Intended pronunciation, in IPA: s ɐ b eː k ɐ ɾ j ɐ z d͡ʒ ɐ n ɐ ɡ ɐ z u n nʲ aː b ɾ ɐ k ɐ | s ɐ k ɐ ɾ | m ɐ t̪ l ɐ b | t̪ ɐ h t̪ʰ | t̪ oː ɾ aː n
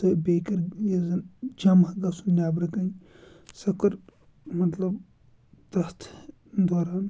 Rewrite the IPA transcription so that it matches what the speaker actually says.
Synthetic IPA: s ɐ b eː k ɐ ɾ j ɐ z d͡ʒ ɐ m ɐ ɡ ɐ s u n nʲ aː b ɾ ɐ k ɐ | s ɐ k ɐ ɾ | m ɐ t̪ l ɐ b | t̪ ɐ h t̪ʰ | d̪ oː ɾ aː n